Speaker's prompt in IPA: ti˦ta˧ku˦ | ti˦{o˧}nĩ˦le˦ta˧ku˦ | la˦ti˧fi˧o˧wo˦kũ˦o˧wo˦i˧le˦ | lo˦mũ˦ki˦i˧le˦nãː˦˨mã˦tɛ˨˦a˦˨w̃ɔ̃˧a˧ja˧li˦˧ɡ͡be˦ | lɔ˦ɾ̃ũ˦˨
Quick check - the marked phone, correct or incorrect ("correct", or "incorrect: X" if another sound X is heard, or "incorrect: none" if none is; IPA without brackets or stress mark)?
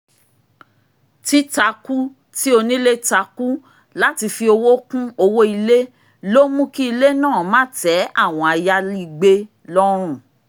correct